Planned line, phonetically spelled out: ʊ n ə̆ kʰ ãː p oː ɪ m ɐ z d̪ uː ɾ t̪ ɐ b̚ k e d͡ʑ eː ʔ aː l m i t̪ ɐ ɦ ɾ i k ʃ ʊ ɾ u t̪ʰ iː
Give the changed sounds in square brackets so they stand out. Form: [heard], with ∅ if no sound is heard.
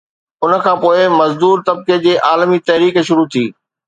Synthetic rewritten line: ʊ n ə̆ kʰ ãː p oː ɪ m ɐ z d̪ uː ɾ t̪ ɐ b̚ k e d͡ʑ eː ʔ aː l m i t̪ ɐ ɦ ɾ [iː] k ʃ ʊ ɾ u t̪ʰ iː